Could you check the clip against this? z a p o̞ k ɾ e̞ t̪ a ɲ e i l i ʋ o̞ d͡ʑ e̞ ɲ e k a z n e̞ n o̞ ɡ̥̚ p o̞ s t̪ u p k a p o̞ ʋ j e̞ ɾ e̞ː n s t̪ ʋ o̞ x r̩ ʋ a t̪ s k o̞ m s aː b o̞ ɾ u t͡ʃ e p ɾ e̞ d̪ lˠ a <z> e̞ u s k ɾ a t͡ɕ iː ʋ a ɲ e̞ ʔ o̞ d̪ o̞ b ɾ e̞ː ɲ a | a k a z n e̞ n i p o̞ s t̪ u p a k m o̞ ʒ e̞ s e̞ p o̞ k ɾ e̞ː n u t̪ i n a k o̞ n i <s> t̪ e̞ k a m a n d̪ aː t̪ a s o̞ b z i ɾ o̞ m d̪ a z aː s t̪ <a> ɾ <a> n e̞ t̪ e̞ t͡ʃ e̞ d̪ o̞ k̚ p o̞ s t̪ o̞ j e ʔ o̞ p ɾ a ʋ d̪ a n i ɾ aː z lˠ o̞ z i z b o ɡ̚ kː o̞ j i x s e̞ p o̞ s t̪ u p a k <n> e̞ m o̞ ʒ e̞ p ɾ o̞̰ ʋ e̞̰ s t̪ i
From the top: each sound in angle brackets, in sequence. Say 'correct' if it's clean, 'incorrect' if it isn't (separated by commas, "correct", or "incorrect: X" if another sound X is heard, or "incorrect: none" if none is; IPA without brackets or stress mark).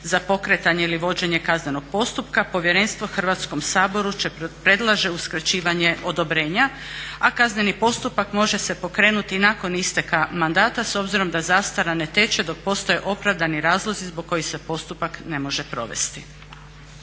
incorrect: ʒ, correct, correct, correct, correct